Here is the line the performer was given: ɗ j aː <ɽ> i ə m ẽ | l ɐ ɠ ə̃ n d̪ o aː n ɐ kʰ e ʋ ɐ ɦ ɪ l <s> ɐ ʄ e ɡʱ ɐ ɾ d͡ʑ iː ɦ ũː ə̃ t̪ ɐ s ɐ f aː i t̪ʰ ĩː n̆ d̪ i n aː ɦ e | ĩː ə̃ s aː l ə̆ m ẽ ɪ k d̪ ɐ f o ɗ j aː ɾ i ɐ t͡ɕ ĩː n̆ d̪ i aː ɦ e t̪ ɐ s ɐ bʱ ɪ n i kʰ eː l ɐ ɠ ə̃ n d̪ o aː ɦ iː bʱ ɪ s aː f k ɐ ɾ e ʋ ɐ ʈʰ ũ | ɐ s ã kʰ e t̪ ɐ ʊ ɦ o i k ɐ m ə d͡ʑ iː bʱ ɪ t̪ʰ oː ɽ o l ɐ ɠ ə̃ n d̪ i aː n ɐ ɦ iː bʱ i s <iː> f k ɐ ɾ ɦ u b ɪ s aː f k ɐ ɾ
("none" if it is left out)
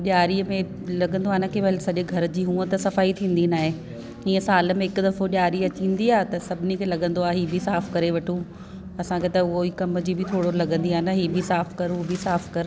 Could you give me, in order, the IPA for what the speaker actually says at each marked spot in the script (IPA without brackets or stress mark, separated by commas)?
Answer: ɾ, s, aː